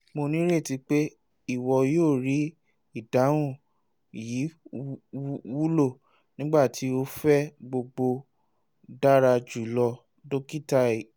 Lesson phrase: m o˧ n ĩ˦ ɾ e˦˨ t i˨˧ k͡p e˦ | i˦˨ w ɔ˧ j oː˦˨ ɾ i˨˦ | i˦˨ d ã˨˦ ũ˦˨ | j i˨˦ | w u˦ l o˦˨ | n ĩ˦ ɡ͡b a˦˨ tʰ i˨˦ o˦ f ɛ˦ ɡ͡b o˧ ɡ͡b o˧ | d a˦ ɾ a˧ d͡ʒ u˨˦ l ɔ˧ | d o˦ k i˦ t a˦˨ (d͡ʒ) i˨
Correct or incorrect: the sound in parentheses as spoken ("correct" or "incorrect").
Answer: incorrect